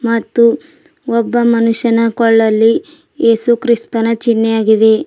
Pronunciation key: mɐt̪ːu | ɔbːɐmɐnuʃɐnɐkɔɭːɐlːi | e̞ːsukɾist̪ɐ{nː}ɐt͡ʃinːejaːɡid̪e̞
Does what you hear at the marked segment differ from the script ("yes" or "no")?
yes